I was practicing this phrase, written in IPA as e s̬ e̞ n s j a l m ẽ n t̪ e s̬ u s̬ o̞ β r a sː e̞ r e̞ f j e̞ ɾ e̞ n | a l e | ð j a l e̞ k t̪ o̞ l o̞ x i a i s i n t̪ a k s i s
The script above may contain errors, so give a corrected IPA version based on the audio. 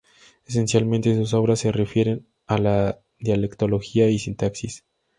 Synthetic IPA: e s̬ e̞ n s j a l m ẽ n t̪ e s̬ u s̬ o̞ β ɾ a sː e̞ r e̞ f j e̞ ɾ e̞ n | a l a | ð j a l e̞ k t̪ o̞ l o̞ x i a i s i n t̪ a k s i s